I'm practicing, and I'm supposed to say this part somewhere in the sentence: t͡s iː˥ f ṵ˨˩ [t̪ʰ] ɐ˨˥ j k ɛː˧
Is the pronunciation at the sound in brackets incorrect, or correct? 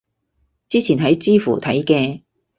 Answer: correct